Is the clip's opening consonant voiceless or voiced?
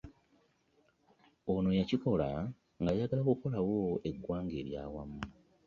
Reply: voiced